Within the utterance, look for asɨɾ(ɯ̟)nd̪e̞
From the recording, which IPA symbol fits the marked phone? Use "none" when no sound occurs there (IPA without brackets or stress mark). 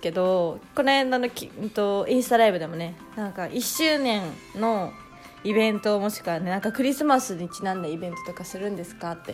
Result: ɯ̟̃